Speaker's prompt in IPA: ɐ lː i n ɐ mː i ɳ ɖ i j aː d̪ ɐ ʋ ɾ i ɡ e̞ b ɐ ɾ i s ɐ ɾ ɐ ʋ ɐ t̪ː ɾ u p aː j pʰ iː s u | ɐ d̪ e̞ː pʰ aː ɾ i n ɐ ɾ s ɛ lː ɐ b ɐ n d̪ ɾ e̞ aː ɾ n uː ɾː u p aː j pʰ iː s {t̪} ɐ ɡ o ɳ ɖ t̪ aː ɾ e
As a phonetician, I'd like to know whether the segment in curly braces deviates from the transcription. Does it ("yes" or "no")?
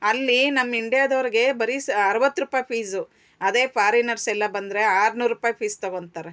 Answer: no